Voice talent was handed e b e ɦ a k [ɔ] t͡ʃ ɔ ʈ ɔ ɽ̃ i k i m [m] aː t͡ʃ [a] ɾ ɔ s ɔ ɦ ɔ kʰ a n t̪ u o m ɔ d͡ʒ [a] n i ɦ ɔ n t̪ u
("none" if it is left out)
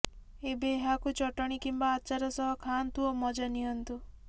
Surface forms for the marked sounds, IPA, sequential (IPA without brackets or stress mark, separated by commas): u, b, a, a